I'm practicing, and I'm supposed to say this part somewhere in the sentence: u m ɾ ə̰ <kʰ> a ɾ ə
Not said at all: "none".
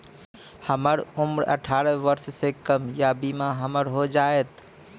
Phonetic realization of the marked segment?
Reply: ʈʰ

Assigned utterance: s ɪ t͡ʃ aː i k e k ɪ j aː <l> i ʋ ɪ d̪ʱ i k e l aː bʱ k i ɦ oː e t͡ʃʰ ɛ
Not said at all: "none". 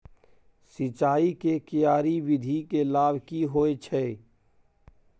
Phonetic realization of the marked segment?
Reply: ɾ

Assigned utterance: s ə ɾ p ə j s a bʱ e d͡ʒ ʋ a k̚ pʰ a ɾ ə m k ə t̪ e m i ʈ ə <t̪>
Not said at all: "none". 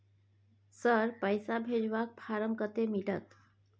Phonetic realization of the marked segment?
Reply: t̪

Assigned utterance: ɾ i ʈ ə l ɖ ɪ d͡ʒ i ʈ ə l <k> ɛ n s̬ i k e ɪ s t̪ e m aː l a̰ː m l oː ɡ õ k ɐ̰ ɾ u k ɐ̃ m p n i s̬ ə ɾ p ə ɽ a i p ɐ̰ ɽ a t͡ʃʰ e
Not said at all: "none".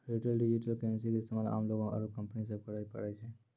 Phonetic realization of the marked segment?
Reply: k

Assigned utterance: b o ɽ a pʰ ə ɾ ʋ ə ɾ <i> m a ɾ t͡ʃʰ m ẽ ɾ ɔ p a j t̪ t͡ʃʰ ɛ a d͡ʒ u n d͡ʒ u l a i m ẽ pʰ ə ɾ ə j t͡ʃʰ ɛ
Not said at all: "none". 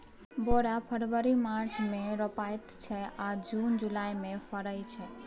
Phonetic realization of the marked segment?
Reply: i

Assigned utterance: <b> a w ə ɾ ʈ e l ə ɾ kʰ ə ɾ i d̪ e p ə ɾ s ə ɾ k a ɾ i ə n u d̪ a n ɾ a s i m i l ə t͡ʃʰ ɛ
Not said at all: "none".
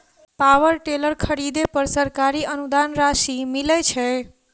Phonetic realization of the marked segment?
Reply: p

